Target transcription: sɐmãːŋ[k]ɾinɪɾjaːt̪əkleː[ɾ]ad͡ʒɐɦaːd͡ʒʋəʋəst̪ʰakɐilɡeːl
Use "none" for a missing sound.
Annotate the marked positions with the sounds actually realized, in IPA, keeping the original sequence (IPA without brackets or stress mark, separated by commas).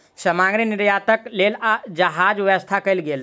ɡ, l